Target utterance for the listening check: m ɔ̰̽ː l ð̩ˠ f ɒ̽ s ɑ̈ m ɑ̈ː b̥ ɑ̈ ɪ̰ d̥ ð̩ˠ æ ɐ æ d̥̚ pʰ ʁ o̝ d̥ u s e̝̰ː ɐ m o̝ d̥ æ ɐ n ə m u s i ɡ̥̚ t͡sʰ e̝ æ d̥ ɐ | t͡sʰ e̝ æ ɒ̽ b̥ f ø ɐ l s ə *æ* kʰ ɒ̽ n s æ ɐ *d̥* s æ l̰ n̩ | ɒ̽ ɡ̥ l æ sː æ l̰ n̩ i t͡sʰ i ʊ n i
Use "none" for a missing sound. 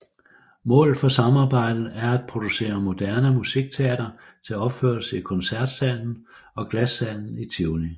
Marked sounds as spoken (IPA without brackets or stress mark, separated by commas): i, d̥